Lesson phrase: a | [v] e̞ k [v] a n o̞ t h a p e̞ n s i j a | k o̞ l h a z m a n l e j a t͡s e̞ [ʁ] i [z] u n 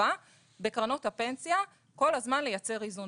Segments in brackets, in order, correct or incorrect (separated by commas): incorrect, incorrect, correct, correct